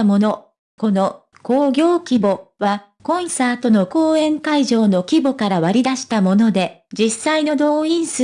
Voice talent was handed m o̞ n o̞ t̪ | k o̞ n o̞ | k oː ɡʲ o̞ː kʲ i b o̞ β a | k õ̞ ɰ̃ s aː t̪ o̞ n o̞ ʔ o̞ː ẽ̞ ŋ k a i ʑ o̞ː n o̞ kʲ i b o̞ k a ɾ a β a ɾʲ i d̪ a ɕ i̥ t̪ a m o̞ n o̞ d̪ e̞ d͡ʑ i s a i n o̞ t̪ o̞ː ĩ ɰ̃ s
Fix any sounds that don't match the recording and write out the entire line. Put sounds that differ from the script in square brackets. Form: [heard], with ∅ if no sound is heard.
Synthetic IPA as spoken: m o̞ n o̞ [∅] | k o̞ n o̞ | k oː ɡʲ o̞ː kʲ i b o̞ β a | k õ̞ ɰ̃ s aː t̪ o̞ n o̞ [k] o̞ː ẽ̞ ŋ k a i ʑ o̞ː n o̞ kʲ i b o̞ k a ɾ a β a ɾʲ i d̪ a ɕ i̥ t̪ a m o̞ n o̞ d̪ e̞ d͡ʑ i s a i n o̞ [d̪] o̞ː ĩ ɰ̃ s